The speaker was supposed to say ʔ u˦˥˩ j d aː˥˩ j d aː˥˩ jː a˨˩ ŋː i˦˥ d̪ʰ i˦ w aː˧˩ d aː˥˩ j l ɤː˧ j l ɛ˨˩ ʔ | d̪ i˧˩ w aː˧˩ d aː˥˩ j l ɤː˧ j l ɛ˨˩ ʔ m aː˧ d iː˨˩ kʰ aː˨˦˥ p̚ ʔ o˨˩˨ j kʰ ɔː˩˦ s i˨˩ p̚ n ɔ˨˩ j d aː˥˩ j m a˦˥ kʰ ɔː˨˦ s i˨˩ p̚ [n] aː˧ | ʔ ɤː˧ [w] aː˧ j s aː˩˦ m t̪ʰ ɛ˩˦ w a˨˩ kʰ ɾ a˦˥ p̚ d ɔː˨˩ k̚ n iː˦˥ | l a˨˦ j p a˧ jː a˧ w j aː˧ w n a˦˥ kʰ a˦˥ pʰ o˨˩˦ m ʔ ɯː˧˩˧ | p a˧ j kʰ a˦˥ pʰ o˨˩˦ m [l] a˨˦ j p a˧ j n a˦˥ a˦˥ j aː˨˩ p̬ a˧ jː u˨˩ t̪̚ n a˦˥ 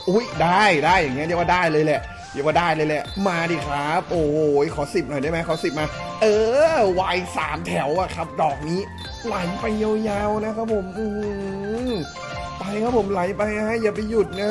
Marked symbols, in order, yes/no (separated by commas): no, yes, yes